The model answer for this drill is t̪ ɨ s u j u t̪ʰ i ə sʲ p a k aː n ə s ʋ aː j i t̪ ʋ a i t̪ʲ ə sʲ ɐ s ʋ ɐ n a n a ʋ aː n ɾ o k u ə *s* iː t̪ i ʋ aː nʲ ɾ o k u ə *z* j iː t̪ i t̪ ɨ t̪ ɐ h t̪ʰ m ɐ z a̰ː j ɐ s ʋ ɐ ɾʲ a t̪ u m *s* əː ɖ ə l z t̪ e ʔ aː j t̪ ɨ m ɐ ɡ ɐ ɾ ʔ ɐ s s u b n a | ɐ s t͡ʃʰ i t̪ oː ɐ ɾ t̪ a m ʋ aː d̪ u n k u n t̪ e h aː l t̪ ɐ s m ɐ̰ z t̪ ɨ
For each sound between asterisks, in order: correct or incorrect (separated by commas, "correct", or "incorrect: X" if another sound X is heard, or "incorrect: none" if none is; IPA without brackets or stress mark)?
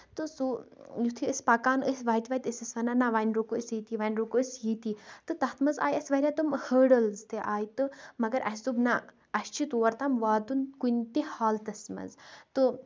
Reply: correct, incorrect: s, incorrect: h